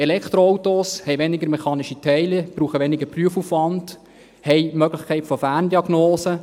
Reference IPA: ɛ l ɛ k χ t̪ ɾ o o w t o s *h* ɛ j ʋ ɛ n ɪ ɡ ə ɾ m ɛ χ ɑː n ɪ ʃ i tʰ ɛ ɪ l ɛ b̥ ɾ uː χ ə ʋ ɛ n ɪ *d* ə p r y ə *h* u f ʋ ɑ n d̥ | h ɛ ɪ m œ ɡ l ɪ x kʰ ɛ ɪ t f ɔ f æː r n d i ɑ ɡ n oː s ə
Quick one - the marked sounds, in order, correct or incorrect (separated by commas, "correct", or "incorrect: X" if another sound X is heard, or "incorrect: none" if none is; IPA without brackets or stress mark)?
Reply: correct, incorrect: ɡ, incorrect: f